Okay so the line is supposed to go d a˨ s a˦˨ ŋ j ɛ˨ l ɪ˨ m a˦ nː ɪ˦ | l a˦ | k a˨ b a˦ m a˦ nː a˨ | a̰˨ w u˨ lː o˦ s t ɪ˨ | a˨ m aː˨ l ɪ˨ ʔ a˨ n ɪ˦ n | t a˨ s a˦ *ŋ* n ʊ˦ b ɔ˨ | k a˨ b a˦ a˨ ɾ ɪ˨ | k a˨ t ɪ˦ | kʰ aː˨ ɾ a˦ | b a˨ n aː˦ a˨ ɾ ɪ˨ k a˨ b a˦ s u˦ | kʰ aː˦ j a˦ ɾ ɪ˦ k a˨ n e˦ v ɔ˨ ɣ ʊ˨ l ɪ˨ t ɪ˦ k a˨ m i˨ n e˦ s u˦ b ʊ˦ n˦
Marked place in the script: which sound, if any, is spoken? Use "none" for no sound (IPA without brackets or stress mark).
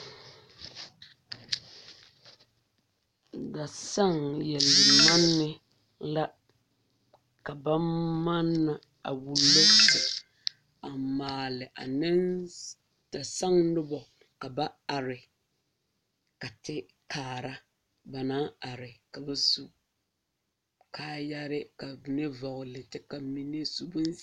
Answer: ŋ